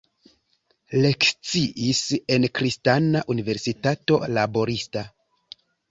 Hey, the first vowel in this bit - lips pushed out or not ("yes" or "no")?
no